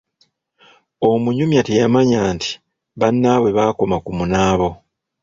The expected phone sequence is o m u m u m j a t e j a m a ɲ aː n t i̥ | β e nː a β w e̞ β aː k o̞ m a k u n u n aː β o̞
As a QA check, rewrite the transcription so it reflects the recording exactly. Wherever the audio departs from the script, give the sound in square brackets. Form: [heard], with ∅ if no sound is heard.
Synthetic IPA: o m u [ɲ] u m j a t e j a m a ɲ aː n t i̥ | β [a] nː a β w e̞ β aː k o̞ m a k u [m] u n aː β o̞